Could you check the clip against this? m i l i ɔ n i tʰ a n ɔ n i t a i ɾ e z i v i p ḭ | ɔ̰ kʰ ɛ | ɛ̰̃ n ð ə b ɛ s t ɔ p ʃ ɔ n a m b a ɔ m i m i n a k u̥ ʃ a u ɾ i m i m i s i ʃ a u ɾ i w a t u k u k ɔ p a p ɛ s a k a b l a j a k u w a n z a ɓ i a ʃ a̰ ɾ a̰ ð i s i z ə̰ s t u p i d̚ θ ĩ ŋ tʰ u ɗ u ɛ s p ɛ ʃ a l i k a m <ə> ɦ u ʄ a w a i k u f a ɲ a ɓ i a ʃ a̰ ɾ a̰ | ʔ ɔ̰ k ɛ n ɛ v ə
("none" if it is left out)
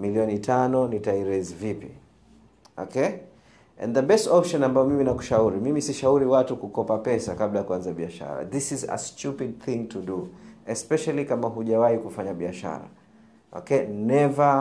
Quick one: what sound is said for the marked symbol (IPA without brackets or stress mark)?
a